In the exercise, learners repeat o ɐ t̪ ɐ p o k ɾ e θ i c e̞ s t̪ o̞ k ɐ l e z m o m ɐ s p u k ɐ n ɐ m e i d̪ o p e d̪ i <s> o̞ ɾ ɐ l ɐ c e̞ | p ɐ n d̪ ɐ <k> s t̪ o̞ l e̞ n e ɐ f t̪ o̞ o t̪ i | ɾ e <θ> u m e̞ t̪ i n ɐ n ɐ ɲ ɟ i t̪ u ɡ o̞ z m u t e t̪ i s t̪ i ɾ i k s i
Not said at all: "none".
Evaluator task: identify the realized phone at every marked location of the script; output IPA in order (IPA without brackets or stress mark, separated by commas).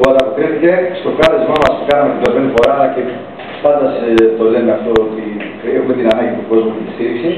f, none, x